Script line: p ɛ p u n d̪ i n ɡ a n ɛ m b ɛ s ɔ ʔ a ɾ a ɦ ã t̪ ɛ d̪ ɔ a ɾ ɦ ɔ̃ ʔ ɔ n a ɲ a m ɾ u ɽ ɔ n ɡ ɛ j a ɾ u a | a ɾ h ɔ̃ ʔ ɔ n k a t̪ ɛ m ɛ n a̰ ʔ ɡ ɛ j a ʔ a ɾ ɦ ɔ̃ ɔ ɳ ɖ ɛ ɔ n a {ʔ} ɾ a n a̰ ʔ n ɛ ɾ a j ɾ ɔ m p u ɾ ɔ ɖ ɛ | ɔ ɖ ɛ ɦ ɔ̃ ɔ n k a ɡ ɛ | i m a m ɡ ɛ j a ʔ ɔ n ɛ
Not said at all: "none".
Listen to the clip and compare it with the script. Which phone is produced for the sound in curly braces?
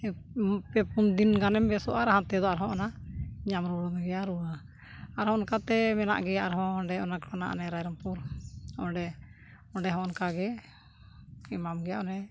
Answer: k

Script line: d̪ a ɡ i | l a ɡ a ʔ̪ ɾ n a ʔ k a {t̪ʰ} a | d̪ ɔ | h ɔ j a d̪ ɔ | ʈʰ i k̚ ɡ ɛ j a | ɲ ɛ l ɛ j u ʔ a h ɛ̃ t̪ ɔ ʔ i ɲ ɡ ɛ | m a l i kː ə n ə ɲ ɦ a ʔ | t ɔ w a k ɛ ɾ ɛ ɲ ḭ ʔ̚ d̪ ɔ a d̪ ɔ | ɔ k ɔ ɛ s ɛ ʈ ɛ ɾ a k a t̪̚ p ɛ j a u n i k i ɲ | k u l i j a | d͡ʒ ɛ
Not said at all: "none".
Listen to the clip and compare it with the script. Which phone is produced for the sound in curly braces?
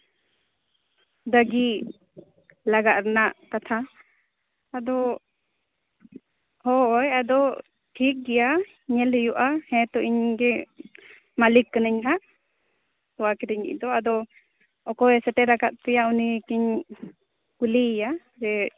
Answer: t̪ʰ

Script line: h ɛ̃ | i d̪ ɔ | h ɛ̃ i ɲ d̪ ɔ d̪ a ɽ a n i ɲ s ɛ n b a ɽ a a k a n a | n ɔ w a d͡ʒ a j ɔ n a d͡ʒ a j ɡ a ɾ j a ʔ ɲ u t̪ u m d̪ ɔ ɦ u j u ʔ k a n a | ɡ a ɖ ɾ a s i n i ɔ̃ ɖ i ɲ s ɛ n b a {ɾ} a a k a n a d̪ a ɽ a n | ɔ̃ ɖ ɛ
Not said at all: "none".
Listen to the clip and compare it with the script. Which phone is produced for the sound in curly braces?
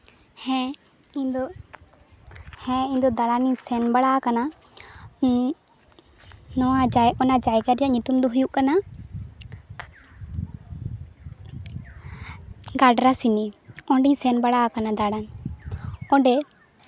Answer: ɽ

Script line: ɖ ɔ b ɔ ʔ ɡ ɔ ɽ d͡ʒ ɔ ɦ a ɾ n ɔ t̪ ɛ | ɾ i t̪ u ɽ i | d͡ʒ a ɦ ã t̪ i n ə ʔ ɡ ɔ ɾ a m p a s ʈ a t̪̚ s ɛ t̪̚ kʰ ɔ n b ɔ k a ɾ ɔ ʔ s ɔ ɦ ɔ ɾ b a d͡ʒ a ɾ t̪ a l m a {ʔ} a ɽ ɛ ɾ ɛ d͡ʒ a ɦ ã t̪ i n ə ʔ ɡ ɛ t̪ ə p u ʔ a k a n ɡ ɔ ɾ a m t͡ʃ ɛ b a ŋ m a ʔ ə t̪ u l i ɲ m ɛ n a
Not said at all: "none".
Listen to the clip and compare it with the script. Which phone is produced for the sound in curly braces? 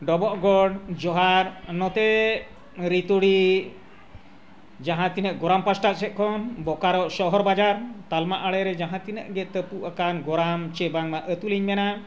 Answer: ʔ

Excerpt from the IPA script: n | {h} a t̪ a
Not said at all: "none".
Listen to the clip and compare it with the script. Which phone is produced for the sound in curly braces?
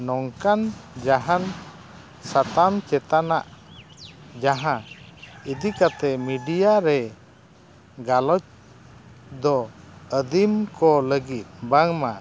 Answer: s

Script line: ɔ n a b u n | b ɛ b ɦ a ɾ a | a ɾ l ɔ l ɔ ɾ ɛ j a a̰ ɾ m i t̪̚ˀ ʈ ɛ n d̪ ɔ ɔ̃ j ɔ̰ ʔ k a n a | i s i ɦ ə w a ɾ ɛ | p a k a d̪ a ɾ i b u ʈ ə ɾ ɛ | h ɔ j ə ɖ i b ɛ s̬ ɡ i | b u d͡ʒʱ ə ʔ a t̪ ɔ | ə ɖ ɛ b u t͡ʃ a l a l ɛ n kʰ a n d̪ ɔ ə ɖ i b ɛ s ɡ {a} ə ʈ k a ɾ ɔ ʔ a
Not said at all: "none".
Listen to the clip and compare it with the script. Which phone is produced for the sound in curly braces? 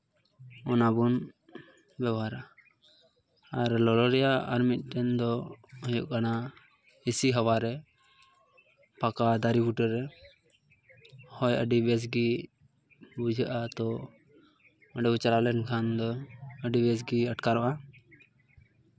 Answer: i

